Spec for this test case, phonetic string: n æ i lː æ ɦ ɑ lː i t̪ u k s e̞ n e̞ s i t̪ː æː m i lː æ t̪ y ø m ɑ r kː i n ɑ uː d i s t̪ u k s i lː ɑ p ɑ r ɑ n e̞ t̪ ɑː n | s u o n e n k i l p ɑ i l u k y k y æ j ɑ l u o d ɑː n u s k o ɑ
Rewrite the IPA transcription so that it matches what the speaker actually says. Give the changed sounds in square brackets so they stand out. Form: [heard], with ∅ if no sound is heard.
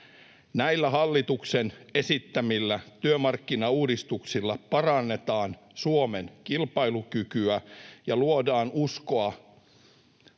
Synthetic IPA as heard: n æ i lː æ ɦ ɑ lː i t̪ u k s e̞ n e̞ s i t̪ː [æ] m i lː æ t̪ y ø m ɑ r kː i n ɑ uː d i s t̪ u k s i lː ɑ p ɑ r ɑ [nː] e̞ t̪ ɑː n | s u o [m] e n k i l p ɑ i l u k y k y æ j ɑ l u o d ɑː n u s k o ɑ